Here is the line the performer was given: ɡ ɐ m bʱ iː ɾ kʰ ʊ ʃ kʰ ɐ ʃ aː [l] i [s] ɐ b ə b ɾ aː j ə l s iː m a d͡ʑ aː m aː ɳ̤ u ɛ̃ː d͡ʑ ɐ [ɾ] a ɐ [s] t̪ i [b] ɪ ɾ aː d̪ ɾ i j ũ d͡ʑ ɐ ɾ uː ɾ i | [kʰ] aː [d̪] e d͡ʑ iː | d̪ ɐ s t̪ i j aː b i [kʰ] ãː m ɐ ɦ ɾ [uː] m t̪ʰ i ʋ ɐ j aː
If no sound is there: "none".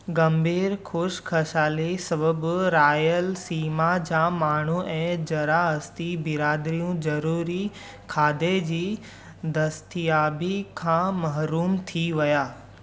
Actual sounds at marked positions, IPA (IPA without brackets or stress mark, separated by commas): l, s, ɾ, s, b, kʰ, d̪, kʰ, uː